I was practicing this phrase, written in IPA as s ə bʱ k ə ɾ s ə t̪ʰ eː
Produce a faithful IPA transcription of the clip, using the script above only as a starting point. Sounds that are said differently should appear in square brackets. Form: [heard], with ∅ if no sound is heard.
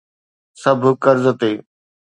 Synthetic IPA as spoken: s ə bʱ k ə ɾ [z] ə [t̪] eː